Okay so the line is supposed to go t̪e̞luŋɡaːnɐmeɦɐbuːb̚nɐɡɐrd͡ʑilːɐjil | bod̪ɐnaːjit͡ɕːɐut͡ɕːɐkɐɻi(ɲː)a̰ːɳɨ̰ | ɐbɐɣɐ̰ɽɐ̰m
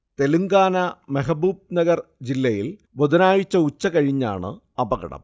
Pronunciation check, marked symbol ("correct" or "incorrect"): correct